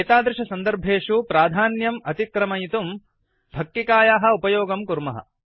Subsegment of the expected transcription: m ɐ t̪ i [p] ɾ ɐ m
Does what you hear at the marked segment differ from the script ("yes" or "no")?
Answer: yes